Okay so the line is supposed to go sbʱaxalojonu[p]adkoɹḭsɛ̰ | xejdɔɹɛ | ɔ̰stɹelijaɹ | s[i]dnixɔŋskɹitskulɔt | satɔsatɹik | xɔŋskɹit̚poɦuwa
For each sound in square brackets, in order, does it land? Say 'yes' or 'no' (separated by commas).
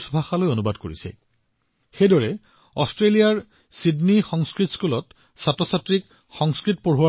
no, yes